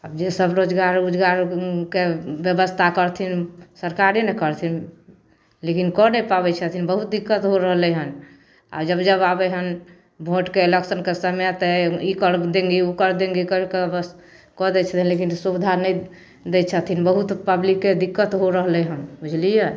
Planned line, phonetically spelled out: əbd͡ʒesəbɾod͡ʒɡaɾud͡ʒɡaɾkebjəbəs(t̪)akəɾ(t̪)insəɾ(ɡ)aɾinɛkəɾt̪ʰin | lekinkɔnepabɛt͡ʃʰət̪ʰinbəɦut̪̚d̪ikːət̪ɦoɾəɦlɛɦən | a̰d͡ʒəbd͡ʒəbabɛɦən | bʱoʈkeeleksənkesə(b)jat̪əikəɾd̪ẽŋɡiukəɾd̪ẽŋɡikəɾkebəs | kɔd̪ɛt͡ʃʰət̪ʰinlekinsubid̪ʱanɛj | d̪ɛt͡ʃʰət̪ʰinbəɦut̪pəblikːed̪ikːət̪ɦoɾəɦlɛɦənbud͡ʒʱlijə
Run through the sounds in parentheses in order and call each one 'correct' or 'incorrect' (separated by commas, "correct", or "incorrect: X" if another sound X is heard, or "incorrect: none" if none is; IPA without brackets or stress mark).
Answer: incorrect: t̪ʰ, incorrect: t̪ʰ, incorrect: k, incorrect: m